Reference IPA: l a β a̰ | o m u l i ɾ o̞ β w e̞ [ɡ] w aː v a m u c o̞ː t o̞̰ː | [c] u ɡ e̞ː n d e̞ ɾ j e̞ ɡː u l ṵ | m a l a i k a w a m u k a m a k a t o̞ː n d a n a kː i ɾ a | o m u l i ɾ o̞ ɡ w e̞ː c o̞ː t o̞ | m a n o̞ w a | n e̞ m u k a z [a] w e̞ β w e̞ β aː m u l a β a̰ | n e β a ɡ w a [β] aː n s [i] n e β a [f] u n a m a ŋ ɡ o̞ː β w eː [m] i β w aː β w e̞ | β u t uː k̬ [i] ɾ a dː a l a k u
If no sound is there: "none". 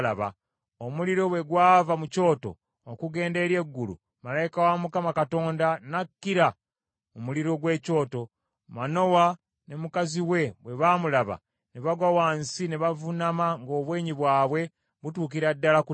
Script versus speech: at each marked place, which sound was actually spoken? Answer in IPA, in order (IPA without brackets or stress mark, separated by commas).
ɡ, k, i, w, i, v, ɲ, i